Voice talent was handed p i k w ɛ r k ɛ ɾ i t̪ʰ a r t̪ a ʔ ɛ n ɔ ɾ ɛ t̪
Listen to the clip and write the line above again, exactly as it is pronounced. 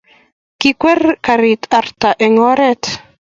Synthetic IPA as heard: k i k w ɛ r k a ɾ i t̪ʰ a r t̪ a ʔ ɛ ŋ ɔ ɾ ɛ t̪